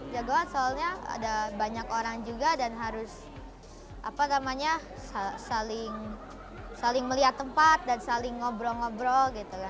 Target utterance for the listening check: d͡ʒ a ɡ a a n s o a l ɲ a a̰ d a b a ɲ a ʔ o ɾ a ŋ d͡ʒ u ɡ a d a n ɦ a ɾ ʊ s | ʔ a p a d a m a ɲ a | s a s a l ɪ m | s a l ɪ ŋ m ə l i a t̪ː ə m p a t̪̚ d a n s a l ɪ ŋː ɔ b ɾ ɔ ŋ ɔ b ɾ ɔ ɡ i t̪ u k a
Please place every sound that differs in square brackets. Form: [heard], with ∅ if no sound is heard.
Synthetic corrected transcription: d͡ʒ a ɡ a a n s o a l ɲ a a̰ d a b a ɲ a [k] o ɾ a ŋ d͡ʒ u ɡ a d a n ɦ a ɾ ʊ s | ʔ a p a [n] a m a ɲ a | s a s a l ɪ [ŋ] | s a l ɪ ŋ m ə l i a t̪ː ə m p a t̪̚ d a n s a l ɪ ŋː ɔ b ɾ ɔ ŋ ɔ b ɾ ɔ ɡ i t̪ u k a